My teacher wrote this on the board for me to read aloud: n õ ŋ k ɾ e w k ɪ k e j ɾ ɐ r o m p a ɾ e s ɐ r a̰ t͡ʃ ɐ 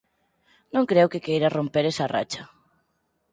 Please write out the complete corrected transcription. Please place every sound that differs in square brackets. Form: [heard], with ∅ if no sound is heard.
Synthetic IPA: n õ ŋ k ɾ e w k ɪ k e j ɾ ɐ r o m p [e] ɾ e s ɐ r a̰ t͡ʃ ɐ